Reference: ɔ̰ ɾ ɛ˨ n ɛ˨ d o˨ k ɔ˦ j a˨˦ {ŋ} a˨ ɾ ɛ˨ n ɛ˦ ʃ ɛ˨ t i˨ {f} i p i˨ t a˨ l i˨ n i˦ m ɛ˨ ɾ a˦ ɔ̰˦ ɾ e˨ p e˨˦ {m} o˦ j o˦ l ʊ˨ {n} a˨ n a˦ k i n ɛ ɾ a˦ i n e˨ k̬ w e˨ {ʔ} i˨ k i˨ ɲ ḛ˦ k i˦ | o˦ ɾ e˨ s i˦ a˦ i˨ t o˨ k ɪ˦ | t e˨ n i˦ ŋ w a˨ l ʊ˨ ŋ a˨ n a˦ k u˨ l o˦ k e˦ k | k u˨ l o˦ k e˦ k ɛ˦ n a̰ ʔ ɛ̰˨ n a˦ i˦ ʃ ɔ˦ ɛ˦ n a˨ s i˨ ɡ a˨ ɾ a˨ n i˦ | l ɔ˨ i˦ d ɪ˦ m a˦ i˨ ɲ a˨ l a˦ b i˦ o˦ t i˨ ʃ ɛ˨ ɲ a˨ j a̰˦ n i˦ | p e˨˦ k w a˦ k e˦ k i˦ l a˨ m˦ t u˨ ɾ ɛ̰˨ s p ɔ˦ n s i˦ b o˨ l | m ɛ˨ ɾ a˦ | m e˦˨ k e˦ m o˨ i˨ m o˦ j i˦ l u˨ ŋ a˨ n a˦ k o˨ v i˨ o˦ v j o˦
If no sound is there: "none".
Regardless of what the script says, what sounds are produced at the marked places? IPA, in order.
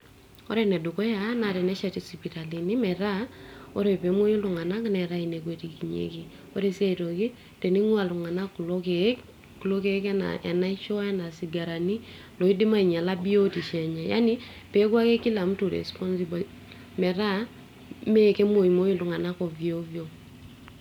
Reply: n, s, m, ŋ, t

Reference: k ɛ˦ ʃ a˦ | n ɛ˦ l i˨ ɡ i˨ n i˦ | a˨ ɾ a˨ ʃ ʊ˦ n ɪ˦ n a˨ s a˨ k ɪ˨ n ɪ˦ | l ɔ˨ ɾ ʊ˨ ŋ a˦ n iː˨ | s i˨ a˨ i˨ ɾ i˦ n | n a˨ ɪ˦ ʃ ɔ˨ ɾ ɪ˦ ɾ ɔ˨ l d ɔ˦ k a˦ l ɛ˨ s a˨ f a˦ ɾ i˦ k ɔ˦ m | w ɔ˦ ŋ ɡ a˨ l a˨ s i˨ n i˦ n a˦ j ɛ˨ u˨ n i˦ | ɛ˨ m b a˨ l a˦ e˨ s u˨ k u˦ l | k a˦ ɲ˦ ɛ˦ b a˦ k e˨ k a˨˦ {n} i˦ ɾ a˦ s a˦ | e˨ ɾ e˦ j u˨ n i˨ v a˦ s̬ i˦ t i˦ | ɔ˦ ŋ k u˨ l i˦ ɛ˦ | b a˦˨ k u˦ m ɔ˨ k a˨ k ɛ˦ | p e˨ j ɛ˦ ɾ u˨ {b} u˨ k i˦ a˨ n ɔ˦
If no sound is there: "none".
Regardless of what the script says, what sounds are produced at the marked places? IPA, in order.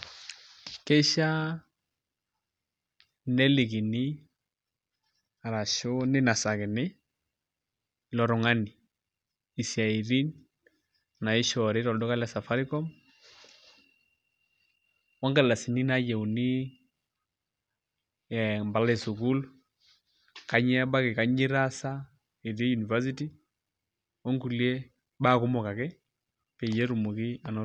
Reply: ɲ, m

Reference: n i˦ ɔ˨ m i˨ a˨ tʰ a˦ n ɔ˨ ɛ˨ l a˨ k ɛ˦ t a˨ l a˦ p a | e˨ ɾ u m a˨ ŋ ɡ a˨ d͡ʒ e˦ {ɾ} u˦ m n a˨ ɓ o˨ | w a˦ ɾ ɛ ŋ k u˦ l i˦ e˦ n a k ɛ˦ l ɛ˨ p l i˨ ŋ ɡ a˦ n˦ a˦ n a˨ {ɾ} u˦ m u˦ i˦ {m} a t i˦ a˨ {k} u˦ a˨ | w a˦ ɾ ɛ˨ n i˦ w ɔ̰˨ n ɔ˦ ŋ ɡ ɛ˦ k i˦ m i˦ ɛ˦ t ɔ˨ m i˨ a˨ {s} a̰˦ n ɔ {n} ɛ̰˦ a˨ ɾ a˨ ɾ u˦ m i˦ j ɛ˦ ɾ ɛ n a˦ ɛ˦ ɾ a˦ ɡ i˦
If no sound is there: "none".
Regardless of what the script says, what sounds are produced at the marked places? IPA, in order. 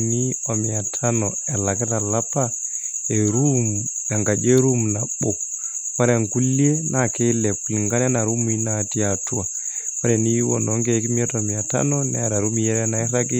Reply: ɾ, ɾ, n, t, t, n

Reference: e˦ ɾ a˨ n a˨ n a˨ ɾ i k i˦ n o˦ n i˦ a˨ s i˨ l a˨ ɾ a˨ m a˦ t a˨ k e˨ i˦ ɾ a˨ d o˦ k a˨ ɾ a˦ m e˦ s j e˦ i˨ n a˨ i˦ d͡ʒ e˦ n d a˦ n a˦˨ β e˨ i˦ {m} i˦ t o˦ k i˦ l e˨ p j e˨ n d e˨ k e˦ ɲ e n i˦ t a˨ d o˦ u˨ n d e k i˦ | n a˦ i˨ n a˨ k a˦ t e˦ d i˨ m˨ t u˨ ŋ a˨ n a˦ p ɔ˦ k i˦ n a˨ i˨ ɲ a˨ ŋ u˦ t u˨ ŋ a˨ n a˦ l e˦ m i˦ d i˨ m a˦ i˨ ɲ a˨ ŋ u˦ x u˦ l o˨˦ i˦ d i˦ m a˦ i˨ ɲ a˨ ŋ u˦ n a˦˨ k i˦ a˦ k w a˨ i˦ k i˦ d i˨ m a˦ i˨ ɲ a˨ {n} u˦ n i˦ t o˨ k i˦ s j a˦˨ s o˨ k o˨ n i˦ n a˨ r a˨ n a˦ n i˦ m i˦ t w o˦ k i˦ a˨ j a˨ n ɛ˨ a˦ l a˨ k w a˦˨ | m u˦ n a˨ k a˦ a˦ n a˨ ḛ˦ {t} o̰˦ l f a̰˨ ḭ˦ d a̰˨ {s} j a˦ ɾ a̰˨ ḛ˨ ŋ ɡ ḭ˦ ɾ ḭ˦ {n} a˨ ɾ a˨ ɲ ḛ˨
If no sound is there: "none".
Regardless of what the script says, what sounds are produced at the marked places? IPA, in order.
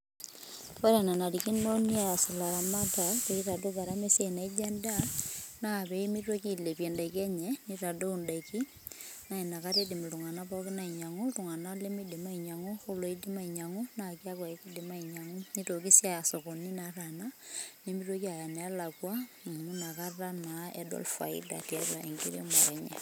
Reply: m, ŋ, d, t, m

